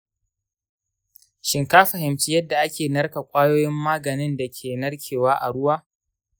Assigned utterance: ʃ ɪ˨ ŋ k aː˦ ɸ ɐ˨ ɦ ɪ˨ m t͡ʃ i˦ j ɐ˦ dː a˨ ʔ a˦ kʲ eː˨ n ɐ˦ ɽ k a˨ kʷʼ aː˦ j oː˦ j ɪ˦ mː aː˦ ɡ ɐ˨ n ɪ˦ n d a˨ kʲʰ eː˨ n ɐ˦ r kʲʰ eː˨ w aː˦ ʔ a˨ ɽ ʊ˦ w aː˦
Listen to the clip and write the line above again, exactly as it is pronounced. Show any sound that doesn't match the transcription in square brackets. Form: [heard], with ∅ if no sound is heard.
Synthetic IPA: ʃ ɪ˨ ŋ k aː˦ ɸ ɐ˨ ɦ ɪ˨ m t͡ʃ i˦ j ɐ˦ dː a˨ ʔ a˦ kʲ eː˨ n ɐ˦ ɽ k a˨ kʷʼ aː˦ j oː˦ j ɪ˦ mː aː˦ ɡ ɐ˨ n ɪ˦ n d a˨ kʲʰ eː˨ n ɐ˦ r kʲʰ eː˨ w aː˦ ʔ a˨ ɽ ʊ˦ w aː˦